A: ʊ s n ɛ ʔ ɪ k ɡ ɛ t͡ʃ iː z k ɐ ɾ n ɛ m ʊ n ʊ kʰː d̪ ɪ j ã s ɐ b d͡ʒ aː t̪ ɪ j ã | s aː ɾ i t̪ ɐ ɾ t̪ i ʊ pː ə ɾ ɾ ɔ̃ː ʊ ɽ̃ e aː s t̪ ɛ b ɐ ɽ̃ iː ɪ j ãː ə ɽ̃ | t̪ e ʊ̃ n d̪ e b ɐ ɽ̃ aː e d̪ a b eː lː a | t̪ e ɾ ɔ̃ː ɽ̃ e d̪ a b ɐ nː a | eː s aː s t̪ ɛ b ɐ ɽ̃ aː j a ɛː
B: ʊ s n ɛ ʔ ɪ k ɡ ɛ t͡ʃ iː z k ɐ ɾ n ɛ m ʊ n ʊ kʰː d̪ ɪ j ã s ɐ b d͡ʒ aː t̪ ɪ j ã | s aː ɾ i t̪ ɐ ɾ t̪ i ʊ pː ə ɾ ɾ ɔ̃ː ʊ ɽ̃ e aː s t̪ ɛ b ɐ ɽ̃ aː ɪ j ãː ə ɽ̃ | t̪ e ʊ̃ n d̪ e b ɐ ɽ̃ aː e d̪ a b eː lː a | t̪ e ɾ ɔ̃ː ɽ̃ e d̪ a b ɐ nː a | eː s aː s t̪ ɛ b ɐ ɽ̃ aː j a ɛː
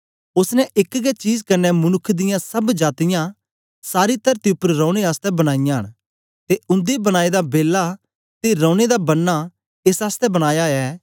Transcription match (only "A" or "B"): B